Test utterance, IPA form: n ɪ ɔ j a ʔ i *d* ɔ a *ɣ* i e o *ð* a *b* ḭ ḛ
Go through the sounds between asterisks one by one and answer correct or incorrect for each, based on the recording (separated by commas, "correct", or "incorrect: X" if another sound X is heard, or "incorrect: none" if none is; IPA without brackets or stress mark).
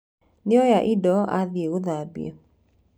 correct, incorrect: ð, correct, correct